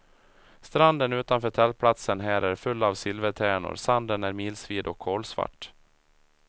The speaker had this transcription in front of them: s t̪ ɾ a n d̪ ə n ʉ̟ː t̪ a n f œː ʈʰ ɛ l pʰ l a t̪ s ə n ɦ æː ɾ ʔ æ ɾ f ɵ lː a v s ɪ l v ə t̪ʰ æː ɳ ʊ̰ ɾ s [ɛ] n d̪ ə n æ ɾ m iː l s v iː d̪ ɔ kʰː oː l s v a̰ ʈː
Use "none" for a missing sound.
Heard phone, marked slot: a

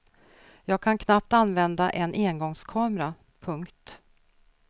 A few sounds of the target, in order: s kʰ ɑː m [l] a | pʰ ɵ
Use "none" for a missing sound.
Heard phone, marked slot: ɾ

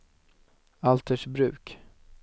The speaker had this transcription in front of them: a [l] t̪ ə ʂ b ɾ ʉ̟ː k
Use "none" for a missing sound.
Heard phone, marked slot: l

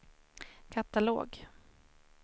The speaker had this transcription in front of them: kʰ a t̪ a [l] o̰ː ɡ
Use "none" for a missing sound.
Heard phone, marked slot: l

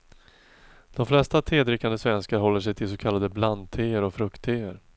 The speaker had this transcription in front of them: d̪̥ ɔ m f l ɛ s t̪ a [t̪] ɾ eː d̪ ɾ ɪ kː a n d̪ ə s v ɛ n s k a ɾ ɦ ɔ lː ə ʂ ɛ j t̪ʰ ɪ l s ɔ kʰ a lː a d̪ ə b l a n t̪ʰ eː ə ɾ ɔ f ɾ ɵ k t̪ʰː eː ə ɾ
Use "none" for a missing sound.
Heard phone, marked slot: t̪ʰ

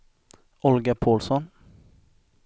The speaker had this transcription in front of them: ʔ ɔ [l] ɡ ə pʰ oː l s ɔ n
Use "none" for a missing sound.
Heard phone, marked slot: l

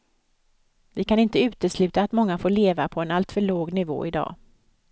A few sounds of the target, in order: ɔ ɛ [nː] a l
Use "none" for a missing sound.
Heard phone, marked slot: n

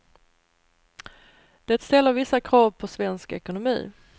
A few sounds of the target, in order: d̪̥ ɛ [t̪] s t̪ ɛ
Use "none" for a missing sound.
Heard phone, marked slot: t̪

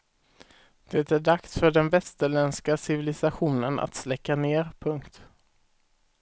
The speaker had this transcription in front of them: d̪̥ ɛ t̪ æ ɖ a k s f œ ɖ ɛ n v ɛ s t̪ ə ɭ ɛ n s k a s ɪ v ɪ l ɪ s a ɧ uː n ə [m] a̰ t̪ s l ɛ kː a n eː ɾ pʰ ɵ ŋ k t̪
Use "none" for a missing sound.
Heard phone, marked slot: n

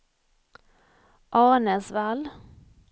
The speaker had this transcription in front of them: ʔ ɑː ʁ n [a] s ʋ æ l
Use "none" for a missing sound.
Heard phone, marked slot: ə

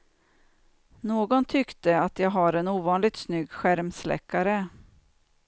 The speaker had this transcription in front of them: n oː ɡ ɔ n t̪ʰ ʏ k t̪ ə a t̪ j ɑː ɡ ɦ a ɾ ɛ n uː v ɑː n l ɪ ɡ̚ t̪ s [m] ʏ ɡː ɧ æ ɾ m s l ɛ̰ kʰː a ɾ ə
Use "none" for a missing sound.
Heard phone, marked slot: n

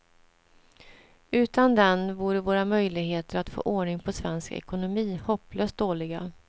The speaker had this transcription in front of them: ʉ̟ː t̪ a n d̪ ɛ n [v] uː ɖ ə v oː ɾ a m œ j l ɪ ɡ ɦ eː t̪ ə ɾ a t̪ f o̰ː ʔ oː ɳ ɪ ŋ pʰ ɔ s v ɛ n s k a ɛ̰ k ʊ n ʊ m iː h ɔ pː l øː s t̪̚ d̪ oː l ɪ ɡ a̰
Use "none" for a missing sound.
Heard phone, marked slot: v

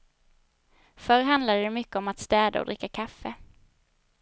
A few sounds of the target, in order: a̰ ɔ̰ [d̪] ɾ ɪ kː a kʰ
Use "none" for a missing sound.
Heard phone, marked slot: d̪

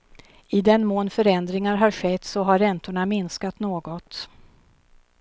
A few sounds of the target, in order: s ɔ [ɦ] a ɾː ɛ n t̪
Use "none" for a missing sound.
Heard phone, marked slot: ɦ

